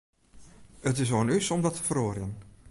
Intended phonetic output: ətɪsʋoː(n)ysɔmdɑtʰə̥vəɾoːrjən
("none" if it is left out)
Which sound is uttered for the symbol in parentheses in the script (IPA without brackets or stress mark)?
n